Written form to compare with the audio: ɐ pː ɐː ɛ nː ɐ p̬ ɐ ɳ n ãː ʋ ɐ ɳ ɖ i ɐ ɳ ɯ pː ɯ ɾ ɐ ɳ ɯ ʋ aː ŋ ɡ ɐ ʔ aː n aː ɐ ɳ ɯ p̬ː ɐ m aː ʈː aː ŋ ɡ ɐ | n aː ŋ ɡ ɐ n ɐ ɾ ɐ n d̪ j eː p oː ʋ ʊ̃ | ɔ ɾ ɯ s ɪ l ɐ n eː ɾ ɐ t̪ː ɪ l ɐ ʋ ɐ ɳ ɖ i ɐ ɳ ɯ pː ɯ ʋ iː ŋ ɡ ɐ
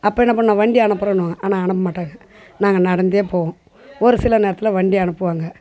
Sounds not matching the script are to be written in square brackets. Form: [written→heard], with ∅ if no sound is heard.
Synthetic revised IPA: ɐ pː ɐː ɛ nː ɐ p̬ ɐ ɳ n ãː ʋ ɐ ɳ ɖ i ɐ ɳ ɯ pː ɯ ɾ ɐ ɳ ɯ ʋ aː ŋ ɡ ɐ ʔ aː n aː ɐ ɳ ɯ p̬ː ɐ m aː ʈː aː ŋ ɡ ɐ | n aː ŋ ɡ ɐ n ɐ [ɾ→ɽ] ɐ n d̪ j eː p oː ʋ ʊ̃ | ɔ ɾ ɯ s ɪ l ɐ n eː ɾ ɐ t̪ː ɪ l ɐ ʋ ɐ ɳ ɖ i ɐ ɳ ɯ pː ɯ ʋ [iː→aː] ŋ ɡ ɐ